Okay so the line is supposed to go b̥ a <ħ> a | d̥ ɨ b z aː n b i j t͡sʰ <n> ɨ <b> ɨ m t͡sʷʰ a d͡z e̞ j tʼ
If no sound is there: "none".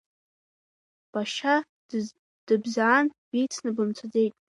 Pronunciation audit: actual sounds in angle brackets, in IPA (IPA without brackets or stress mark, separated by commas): ʃ, n, b